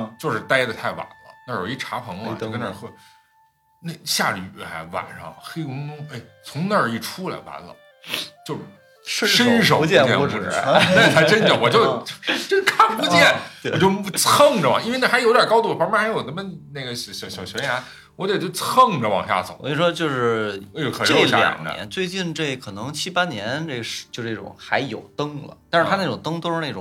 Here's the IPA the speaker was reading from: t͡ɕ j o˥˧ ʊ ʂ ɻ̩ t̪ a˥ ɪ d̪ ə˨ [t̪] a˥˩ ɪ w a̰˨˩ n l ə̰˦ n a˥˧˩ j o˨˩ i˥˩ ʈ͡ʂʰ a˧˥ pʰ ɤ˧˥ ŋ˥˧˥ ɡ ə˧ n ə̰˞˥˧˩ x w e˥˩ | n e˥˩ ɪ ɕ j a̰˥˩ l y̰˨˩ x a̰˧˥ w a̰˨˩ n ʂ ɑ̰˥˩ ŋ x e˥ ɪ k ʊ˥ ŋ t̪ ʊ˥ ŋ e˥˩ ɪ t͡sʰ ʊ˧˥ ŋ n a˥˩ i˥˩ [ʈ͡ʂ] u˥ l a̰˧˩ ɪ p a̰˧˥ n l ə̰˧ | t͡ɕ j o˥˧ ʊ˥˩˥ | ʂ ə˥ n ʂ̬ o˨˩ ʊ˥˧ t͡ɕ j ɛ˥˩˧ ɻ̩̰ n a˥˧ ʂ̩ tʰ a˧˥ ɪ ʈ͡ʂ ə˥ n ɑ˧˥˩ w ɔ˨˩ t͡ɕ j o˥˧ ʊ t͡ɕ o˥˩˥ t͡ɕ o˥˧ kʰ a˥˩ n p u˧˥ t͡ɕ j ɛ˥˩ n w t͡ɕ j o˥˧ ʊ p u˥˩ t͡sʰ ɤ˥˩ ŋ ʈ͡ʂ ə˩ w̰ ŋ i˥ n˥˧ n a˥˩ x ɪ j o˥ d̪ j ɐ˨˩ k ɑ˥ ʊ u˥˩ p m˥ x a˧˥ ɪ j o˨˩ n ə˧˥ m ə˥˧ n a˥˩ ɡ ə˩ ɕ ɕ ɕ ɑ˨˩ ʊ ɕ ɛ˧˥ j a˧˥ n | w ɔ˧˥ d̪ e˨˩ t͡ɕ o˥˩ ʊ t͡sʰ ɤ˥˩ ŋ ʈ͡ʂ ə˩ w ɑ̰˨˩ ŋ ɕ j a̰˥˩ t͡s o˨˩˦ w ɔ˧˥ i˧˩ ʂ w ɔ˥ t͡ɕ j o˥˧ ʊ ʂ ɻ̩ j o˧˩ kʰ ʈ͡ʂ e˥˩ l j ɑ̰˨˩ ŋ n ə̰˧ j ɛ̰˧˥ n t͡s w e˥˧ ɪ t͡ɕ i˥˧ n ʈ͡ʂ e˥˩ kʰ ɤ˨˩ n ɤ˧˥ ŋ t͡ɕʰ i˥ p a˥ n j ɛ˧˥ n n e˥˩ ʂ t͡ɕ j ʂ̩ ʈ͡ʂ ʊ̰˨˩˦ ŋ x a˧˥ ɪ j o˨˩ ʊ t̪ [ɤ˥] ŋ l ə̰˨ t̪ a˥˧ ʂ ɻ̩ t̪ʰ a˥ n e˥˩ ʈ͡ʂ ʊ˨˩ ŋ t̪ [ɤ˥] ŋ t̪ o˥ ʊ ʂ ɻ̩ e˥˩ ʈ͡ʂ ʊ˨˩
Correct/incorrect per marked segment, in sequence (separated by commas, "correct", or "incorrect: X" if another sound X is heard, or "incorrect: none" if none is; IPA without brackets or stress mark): incorrect: t̪ʰ, incorrect: ʈ͡ʂʰ, correct, correct